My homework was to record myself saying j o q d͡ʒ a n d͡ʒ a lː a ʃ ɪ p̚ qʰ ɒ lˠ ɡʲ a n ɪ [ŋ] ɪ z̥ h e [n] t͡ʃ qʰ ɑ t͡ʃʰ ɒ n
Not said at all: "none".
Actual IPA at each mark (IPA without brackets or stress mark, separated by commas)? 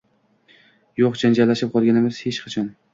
m, none